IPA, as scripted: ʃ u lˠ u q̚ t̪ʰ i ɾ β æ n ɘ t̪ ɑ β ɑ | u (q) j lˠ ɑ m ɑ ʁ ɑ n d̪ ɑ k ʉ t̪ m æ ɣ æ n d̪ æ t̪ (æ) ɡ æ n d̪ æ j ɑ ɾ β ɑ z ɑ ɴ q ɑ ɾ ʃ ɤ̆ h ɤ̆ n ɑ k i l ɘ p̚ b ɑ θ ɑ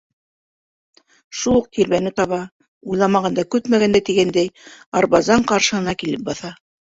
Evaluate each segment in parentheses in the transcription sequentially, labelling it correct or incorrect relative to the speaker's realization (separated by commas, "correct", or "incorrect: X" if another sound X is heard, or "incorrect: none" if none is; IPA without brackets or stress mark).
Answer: incorrect: none, incorrect: i